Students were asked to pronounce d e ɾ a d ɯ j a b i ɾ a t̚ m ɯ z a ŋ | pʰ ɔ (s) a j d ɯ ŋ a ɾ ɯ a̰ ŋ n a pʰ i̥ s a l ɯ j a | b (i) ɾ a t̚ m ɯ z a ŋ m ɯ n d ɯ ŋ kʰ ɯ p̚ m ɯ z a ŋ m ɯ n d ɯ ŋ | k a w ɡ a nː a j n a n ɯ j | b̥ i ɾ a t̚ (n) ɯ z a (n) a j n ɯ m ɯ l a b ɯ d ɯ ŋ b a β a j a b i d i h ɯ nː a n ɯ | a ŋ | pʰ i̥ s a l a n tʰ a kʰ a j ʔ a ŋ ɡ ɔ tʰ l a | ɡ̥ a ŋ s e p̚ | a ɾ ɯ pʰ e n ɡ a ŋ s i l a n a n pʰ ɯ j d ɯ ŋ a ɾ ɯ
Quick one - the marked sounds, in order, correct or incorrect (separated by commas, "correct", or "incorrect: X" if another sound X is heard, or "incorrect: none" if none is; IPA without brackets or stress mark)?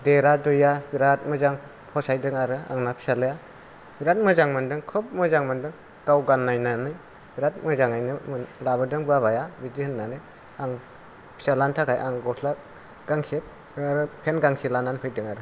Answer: correct, correct, incorrect: m, incorrect: ŋ